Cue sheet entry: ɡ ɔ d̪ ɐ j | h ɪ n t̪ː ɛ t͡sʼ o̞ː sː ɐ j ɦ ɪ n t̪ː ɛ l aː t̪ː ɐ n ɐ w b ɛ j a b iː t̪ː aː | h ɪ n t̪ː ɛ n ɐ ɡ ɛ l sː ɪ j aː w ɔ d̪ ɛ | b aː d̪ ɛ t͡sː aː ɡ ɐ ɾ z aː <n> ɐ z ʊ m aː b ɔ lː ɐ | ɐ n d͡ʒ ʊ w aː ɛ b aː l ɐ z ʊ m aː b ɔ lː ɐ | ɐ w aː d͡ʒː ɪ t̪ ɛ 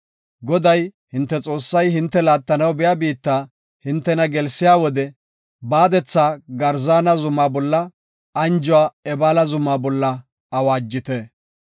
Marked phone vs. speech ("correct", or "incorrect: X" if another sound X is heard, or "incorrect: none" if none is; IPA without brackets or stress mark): correct